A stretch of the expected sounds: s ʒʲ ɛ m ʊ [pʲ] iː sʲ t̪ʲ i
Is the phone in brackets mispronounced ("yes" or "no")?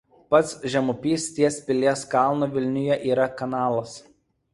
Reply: no